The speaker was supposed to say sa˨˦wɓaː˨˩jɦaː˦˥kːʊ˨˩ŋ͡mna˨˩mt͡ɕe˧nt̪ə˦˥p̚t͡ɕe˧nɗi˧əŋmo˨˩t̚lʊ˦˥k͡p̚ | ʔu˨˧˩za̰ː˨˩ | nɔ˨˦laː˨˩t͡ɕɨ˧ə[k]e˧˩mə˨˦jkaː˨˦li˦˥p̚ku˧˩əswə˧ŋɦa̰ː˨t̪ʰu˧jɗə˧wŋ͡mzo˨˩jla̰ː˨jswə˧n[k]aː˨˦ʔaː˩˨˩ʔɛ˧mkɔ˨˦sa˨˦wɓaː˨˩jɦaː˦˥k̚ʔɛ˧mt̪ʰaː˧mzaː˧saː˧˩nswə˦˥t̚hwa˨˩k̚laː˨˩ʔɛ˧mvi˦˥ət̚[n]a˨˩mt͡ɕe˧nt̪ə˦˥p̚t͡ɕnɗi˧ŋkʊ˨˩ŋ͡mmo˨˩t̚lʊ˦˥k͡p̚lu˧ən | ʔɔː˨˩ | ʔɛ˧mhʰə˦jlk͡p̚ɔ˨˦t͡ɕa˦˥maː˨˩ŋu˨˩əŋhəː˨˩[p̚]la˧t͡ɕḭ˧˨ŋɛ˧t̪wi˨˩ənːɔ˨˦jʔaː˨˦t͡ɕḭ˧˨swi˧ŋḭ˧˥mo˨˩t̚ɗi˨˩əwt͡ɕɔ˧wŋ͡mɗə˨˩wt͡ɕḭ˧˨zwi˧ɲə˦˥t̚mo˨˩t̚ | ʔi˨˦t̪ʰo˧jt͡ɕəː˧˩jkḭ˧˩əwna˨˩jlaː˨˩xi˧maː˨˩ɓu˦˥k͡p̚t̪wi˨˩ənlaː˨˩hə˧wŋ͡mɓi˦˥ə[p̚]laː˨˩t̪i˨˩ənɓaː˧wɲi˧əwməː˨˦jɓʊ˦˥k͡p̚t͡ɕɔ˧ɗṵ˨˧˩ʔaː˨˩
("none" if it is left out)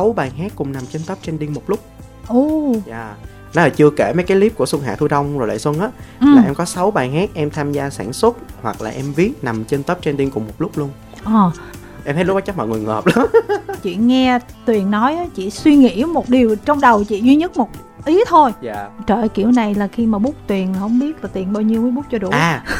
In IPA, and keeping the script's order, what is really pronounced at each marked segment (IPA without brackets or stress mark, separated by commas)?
k, ʔ, n, p̚, t̚